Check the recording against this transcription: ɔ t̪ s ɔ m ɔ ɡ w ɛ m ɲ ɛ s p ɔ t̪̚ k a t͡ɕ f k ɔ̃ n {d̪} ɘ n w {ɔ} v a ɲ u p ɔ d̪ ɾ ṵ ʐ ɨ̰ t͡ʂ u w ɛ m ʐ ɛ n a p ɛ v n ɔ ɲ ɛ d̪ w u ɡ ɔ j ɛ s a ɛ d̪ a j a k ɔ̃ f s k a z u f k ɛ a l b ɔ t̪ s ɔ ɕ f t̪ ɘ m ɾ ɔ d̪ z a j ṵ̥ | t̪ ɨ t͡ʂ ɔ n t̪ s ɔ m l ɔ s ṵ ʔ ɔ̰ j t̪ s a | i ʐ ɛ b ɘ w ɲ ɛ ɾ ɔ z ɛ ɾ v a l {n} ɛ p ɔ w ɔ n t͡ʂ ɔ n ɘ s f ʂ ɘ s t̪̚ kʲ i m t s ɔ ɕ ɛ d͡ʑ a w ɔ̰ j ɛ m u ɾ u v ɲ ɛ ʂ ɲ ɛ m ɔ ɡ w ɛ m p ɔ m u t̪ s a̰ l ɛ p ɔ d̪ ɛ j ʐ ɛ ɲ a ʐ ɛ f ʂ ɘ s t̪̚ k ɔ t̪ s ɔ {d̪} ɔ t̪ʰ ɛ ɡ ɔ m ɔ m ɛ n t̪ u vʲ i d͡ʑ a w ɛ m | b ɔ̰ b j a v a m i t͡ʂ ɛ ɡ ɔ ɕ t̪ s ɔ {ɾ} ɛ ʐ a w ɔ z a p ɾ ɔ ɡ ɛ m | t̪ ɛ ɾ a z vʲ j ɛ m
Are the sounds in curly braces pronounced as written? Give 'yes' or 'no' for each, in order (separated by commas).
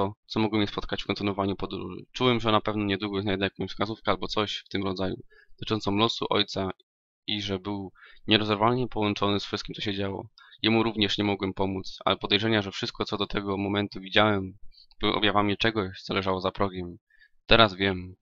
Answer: no, yes, no, yes, no